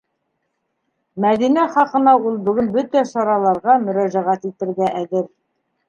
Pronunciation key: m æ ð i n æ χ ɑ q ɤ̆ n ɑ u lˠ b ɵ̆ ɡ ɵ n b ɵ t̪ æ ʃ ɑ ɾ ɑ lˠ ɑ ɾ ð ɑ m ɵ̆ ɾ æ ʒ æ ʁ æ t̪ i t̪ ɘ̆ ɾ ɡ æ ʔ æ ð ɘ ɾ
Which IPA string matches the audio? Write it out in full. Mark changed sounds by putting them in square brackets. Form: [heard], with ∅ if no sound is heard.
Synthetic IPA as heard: m æ ð i n æ χ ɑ q ɤ̆ n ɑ u lˠ b ɵ̆ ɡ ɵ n b ɵ t̪ æ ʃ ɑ ɾ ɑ lˠ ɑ ɾ [ʁ] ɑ m ɵ̆ ɾ æ ʒ æ ʁ æ t̪ i t̪ ɘ̆ ɾ ɡ æ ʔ æ ð ɘ ɾ